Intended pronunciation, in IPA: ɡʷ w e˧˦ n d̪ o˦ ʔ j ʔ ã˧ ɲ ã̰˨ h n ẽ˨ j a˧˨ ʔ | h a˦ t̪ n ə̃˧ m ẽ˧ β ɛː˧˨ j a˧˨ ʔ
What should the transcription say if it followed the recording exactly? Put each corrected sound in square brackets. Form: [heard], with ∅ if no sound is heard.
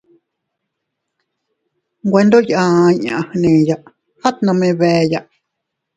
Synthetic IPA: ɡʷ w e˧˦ n d̪ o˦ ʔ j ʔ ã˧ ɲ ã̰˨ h n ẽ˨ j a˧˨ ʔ | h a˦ t̪ n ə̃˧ m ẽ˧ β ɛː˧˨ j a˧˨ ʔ